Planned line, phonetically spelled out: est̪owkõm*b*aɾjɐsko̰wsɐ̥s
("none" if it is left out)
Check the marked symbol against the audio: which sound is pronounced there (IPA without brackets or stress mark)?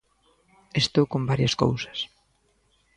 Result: b